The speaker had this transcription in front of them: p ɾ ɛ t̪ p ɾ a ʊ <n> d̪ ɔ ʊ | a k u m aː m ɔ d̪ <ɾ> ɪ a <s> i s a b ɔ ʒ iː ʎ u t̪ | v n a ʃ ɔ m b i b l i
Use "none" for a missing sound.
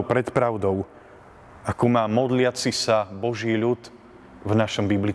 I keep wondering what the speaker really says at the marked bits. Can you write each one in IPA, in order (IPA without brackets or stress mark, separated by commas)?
none, l, t͡s